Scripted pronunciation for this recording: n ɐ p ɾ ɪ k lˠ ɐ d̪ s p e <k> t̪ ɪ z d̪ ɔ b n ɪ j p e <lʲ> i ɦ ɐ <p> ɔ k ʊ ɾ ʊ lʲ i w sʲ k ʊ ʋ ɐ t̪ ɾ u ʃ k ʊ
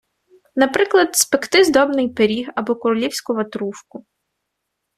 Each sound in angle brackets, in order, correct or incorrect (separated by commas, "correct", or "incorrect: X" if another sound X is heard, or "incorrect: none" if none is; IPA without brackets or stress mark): correct, incorrect: ɾʲ, incorrect: b